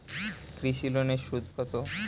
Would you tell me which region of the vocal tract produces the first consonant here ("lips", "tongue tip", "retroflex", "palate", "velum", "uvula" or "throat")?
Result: velum